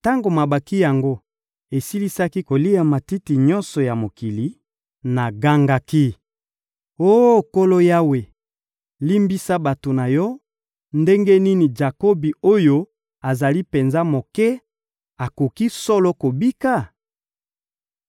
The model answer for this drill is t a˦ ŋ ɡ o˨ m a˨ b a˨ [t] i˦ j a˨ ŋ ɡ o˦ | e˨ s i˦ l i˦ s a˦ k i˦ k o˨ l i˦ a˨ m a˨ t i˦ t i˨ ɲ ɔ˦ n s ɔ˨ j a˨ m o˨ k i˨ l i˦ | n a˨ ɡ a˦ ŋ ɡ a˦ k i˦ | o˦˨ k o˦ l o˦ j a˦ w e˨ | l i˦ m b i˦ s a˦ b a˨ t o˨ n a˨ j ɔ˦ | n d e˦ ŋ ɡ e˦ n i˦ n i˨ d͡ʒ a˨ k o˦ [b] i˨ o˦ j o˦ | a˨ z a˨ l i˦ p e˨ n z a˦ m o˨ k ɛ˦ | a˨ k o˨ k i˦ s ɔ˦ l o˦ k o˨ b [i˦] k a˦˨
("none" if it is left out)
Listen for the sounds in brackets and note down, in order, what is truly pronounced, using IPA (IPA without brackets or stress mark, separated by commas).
k, b, i˦